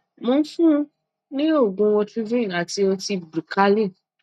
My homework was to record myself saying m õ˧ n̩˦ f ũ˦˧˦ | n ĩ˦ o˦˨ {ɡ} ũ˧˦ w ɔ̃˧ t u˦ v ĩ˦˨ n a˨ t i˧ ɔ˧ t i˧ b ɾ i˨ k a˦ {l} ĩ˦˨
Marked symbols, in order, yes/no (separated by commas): yes, yes